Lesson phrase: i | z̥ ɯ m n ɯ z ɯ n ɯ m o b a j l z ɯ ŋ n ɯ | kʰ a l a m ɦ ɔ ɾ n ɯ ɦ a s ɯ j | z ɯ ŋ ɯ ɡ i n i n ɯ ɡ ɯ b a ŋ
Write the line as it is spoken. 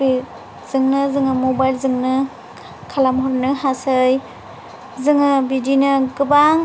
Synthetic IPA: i | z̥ ɯ ŋ n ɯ z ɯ ŋ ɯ m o b a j l z ɯ ŋ n ɯ | kʰ a l a m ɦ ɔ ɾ n ɯ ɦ a s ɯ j | z ɯ ŋ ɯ b i d i n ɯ ɡ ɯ b a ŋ